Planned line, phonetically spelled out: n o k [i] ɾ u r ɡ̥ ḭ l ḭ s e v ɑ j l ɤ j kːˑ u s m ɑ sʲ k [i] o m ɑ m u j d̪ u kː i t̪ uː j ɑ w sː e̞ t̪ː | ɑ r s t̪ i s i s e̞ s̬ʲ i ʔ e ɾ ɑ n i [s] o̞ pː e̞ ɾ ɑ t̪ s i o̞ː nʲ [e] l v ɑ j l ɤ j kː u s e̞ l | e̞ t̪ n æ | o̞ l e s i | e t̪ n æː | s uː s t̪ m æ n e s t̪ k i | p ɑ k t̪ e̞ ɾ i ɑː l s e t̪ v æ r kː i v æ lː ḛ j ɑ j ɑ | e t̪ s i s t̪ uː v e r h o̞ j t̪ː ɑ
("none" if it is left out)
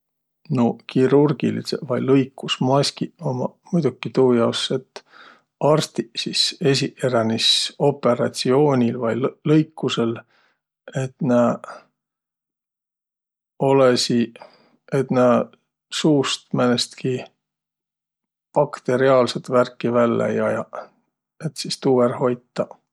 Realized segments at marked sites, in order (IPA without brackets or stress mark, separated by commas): i, i, s, i